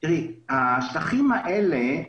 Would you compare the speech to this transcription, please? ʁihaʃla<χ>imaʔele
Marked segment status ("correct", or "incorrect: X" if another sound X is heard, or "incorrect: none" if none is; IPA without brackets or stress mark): correct